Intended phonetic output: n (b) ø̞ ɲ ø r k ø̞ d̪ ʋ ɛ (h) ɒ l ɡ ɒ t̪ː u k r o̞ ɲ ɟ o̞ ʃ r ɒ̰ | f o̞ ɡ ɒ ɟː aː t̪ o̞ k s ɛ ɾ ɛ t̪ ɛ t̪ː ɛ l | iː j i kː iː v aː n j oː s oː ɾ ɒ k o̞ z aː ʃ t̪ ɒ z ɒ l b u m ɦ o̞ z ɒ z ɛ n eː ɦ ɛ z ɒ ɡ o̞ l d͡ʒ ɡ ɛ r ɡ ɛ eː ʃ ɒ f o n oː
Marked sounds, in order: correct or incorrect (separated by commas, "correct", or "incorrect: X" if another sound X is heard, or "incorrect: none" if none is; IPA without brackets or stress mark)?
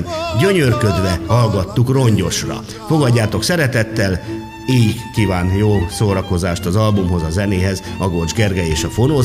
incorrect: ɟ, correct